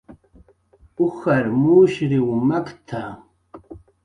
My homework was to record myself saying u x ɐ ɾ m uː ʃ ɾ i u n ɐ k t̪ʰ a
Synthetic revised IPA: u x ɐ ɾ m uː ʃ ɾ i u m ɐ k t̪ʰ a